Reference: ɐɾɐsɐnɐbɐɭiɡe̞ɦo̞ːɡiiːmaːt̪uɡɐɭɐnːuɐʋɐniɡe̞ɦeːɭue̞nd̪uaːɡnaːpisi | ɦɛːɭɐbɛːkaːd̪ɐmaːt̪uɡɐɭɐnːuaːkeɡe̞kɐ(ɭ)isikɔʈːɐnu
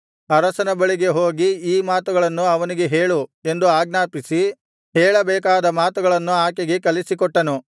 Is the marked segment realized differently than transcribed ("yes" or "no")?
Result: yes